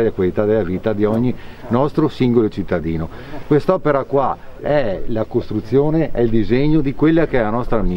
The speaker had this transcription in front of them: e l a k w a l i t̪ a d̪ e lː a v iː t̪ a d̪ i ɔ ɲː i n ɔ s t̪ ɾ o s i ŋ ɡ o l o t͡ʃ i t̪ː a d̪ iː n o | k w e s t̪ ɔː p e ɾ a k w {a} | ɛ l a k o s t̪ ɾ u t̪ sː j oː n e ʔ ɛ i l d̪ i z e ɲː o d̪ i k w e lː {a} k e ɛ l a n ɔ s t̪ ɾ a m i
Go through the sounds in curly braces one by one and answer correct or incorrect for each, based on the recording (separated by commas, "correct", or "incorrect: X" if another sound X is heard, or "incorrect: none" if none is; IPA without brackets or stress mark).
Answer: correct, correct